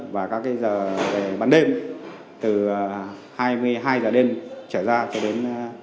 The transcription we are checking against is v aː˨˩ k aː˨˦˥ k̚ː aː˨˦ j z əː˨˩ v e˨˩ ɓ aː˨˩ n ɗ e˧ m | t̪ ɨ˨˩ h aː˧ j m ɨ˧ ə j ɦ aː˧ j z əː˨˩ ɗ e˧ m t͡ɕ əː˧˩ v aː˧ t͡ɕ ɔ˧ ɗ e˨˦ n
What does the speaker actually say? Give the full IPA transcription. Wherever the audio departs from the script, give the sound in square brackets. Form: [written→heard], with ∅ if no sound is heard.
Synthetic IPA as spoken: v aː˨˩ k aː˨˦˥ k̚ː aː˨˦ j z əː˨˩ v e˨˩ ɓ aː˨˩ n ɗ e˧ m | t̪ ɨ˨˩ h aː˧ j m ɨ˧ ə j ɦ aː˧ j z əː˨˩ ɗ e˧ m t͡ɕ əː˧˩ [v→z] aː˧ t͡ɕ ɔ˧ ɗ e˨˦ n